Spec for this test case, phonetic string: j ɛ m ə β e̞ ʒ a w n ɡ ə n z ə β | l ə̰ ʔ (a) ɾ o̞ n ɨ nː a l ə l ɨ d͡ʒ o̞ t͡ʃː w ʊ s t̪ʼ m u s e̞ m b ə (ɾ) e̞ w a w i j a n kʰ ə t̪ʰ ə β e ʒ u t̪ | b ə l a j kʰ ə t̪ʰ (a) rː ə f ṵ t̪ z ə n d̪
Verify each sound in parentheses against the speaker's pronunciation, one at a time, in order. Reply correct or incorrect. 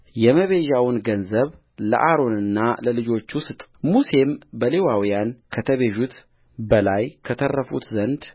correct, incorrect: l, incorrect: ə

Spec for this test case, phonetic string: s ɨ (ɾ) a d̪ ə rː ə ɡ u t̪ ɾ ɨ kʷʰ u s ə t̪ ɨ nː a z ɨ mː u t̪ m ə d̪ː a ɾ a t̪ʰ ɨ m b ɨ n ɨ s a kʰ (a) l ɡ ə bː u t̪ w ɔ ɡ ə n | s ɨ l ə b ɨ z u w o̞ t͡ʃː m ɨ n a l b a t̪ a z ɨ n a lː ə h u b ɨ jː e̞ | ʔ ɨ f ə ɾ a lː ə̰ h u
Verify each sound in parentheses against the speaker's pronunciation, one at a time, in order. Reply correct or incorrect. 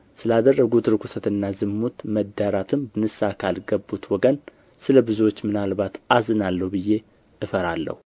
incorrect: l, correct

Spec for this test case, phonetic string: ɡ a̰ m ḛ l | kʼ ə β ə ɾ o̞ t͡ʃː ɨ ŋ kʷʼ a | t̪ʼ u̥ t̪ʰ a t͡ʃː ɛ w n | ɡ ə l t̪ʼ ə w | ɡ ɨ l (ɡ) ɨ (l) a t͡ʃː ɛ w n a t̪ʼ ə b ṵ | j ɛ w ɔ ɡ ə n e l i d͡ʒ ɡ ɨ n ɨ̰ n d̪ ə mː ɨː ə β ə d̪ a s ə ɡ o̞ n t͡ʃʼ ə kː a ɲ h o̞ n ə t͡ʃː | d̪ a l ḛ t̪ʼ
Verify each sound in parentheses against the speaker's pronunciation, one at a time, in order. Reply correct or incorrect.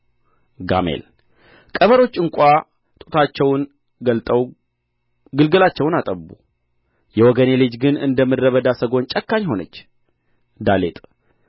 correct, correct

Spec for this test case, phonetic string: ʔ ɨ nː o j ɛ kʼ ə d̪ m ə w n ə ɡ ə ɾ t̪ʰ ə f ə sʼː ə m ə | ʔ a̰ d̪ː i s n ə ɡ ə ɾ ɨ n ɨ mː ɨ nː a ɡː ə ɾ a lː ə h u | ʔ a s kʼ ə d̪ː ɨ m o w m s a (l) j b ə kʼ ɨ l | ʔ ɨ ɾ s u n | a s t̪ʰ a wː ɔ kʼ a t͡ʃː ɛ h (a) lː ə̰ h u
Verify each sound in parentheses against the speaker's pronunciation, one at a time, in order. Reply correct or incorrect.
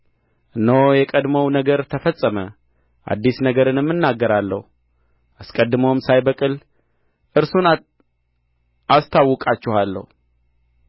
incorrect: none, correct

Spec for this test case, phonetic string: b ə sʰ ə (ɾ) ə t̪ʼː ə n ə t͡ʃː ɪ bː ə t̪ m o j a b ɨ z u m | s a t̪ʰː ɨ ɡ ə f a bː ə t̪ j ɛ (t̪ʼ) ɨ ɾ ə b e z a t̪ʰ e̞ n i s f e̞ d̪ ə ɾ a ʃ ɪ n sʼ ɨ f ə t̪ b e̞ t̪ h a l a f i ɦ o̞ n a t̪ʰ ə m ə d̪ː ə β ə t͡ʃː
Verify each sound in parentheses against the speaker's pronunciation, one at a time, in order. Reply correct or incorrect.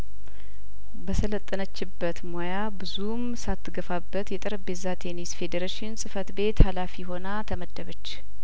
incorrect: l, correct

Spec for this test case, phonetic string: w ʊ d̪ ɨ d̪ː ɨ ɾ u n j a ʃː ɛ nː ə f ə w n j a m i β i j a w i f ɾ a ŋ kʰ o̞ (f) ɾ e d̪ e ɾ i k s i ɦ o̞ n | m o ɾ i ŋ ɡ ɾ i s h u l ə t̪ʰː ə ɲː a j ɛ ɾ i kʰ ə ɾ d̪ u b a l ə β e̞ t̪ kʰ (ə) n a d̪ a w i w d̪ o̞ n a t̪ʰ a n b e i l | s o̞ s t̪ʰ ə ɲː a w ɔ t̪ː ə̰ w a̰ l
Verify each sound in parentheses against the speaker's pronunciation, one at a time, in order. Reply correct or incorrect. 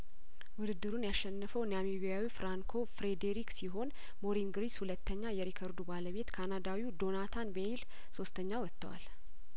correct, incorrect: a

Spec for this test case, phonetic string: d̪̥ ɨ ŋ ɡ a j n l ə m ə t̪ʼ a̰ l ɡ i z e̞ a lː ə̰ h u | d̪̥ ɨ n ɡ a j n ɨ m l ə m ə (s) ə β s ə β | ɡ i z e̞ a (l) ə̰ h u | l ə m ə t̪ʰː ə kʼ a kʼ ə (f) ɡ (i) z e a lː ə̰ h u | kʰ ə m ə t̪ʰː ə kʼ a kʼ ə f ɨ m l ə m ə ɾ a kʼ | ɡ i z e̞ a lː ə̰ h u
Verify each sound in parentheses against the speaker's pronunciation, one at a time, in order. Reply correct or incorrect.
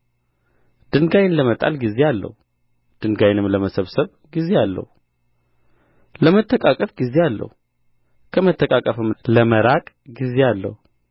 correct, incorrect: lː, correct, correct

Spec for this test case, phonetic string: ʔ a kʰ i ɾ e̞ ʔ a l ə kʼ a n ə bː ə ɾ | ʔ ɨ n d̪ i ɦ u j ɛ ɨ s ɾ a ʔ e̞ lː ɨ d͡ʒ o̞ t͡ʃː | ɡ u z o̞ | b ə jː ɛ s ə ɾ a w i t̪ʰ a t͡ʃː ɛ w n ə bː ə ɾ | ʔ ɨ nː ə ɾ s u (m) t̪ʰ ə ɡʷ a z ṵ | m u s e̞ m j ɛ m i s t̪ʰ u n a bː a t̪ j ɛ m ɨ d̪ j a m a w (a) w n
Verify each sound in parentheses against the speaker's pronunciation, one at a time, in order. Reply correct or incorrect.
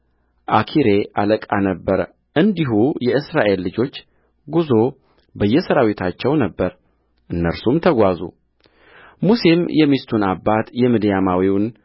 correct, incorrect: i

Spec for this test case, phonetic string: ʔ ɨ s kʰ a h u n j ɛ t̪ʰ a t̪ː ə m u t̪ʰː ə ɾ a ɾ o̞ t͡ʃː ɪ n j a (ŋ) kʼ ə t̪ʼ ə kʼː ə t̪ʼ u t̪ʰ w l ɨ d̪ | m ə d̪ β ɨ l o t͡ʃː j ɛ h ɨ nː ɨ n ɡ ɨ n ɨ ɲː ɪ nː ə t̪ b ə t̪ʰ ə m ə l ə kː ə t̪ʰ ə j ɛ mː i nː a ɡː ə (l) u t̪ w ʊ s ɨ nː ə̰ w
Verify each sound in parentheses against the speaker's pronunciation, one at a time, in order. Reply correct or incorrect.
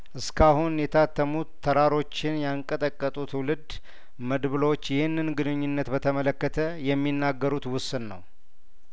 correct, incorrect: ɾ

